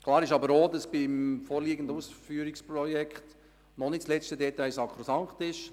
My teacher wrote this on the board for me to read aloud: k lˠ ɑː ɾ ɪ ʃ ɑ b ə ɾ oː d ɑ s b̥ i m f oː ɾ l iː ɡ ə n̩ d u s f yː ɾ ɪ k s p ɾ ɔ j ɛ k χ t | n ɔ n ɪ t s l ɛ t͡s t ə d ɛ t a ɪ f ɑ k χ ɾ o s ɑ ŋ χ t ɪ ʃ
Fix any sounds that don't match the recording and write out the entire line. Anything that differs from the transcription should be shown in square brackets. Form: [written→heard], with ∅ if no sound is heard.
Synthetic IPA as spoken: k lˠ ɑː ɾ ɪ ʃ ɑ b ə ɾ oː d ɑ s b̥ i m f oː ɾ l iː ɡ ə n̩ d u s f yː ɾ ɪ k s p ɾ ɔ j ɛ k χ t | n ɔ n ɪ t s l ɛ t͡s t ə d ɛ t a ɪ [f→s] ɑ k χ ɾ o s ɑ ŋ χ t ɪ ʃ